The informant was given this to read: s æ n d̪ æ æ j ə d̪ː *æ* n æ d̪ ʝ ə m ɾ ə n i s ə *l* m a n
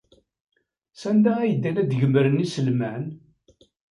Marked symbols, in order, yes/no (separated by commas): yes, yes